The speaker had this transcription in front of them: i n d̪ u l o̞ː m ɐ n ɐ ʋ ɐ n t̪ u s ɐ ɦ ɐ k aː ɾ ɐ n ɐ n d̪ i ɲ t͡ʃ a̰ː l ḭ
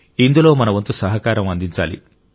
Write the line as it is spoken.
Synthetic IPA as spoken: i n d̪ u l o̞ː m ɐ n ɐ ʋ ɐ n t̪ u s ɐ ɦ ɐ k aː ɾ ɐ m ɐ n d̪ i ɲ t͡ʃ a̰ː l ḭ